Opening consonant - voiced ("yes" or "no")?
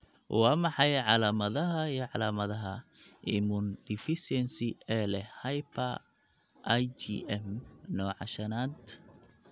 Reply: yes